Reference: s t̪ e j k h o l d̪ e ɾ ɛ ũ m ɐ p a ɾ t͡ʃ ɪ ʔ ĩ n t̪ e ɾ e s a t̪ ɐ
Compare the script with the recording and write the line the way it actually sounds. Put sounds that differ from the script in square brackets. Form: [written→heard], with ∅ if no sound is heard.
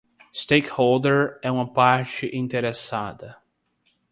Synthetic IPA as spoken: s t̪ e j k h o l d̪ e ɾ ɛ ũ m ɐ p a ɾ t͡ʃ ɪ ʔ ĩ n t̪ e ɾ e s a [t̪→d̪] ɐ